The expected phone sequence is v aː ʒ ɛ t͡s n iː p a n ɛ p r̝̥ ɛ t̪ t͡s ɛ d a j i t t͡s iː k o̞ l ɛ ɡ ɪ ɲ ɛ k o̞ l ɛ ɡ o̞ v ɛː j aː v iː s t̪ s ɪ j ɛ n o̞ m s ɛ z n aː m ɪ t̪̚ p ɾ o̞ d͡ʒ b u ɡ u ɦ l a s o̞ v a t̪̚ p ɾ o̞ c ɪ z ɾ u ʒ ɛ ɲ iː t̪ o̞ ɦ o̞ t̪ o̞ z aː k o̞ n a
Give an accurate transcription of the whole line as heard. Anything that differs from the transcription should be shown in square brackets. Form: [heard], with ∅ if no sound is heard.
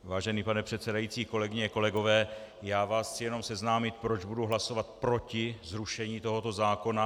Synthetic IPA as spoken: v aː ʒ ɛ [∅] n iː p a n ɛ p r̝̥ ɛ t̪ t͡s ɛ d a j i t t͡s iː k o̞ l ɛ ɡ ɪ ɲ ɛ k o̞ l ɛ ɡ o̞ v ɛː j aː v [aː] s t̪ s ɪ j ɛ n o̞ m s ɛ z n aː m ɪ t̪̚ p ɾ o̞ d͡ʒ b u [d] u ɦ l a s o̞ v a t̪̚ p ɾ o̞ c ɪ z ɾ u [ʃ] ɛ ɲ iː t̪ o̞ ɦ o̞ t̪ o̞ z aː k o̞ n a